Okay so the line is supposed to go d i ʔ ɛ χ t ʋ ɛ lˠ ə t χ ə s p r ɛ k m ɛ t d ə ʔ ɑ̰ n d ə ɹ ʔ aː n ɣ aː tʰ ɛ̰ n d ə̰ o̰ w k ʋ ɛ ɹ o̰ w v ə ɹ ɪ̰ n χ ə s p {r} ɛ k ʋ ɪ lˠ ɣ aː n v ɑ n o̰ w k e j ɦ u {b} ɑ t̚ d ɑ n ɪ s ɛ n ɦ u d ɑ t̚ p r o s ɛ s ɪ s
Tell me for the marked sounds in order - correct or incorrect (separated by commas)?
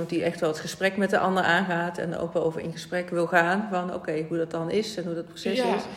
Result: correct, incorrect